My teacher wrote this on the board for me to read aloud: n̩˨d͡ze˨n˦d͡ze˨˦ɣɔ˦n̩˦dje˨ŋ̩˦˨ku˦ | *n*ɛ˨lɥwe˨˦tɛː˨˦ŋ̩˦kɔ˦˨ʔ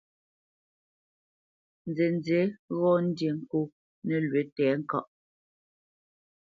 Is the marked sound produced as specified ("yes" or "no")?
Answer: yes